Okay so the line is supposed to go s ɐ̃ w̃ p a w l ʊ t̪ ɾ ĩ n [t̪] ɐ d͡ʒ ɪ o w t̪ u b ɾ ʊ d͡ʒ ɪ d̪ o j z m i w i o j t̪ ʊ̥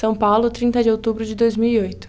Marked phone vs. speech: correct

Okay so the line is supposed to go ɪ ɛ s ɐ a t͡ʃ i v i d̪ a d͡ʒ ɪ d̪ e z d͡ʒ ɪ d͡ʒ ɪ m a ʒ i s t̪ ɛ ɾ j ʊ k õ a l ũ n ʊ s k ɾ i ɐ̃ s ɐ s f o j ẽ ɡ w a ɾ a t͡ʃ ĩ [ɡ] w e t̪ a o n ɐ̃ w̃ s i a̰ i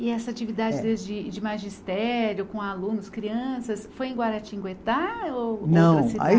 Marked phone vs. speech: correct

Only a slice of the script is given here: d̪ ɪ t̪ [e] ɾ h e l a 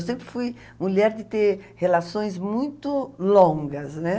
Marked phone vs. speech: correct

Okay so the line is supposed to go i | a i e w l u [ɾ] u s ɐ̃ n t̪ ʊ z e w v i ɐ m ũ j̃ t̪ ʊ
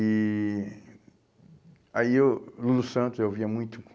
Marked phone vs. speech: incorrect: l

